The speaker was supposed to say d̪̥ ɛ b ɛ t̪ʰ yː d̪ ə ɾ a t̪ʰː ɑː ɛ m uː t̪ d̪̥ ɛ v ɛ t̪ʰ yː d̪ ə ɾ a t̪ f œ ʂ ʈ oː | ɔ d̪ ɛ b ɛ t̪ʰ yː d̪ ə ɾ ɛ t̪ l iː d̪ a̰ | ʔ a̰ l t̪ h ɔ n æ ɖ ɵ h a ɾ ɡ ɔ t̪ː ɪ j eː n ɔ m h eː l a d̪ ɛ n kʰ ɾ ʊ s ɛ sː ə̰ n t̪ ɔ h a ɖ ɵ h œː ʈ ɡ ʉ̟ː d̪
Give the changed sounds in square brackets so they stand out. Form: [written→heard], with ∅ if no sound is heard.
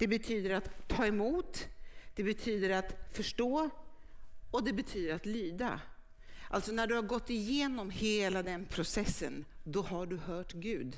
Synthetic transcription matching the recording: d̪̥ ɛ b ɛ t̪ʰ yː d̪ ə ɾ a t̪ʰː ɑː ɛ m uː t̪ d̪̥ ɛ [v→b] ɛ t̪ʰ yː d̪ ə ɾ a t̪ f œ ʂ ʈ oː | ɔ d̪ ɛ b ɛ t̪ʰ yː d̪ ə ɾ [ɛ→a] t̪ l [iː→yː] d̪ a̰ | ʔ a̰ l t̪ [h→s] ɔ n æ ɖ ɵ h a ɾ ɡ ɔ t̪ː ɪ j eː n ɔ m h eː l a d̪ ɛ n [kʰ→pʰ] ɾ ʊ s ɛ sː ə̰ n [t̪→d̪] ɔ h a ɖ ɵ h œː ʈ ɡ ʉ̟ː d̪